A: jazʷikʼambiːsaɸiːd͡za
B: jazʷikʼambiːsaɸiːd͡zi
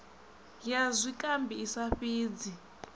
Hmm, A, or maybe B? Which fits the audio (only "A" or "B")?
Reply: B